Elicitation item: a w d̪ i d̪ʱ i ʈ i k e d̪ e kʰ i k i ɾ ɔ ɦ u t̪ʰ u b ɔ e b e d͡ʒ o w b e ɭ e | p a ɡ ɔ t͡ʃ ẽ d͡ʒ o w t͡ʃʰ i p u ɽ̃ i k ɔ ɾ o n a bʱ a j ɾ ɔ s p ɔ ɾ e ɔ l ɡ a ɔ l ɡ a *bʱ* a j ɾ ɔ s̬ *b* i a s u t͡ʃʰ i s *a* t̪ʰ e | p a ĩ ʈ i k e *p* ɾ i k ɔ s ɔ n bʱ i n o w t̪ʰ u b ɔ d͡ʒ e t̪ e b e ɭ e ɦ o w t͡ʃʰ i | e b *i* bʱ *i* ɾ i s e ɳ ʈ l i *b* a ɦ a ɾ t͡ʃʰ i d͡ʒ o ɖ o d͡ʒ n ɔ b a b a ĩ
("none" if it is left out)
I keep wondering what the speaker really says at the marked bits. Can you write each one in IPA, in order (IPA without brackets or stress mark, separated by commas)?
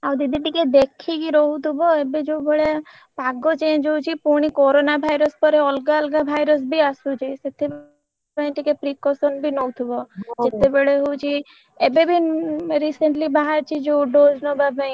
bʱ, b, e, p, e, i, b